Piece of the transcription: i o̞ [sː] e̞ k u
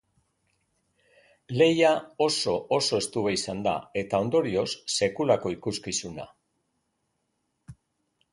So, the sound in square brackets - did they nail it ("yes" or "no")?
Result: yes